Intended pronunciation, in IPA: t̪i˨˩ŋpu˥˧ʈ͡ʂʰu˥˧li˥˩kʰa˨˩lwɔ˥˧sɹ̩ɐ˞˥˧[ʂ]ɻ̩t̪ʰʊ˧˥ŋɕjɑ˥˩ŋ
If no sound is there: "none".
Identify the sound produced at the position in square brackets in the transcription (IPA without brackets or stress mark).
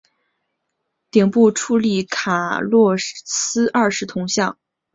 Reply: ʂ